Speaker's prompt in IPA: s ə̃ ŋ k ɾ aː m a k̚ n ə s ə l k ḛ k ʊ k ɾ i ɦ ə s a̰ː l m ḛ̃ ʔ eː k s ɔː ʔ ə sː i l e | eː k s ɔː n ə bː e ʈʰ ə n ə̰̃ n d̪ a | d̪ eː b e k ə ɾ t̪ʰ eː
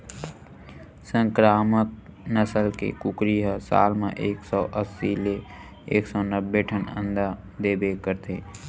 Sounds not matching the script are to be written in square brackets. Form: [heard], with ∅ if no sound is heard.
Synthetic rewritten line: s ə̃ ŋ k ɾ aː m [ə] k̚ n ə s ə l k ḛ k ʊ k ɾ i ɦ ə s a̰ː l m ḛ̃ ʔ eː k s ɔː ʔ ə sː i l e | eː k s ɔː n ə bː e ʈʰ ə n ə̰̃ n d̪ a | d̪ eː b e k ə ɾ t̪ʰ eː